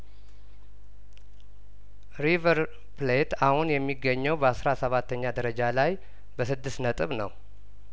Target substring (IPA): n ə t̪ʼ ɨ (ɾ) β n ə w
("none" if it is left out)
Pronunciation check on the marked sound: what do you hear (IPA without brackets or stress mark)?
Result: none